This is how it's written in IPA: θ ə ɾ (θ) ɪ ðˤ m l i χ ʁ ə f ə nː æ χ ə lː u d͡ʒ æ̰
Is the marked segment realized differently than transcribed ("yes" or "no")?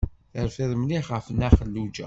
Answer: yes